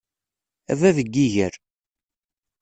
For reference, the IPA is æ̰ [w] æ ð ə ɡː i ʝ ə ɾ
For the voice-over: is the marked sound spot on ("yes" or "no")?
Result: no